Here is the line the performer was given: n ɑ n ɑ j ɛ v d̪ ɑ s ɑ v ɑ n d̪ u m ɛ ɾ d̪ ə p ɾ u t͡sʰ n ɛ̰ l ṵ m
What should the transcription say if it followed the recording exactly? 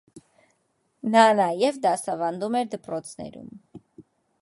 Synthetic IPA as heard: n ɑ n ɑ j ɛ v d̪ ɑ s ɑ v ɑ n d̪ u m ɛ ɾ d̪ ə p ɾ ɔ t͡sʰ n ɛ̰ ɾ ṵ m